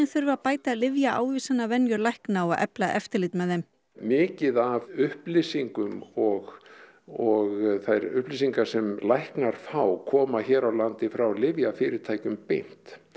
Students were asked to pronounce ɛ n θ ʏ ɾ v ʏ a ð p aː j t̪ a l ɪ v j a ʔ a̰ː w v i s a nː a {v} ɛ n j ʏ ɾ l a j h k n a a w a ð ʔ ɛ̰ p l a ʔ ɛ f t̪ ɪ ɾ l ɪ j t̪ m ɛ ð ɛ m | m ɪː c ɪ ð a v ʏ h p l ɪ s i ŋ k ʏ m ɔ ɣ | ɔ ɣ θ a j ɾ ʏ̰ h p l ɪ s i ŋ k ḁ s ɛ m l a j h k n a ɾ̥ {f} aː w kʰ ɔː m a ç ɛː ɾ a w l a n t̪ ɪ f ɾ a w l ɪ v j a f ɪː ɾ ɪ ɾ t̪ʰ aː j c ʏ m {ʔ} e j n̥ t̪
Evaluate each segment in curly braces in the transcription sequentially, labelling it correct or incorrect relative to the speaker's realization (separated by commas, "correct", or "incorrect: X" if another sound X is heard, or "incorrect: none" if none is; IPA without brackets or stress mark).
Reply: correct, correct, incorrect: p